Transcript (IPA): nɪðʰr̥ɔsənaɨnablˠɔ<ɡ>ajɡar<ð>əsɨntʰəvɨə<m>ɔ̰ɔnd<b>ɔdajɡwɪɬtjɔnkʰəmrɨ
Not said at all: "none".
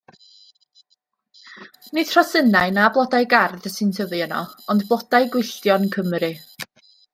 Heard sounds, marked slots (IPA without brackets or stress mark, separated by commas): d, ð, n, b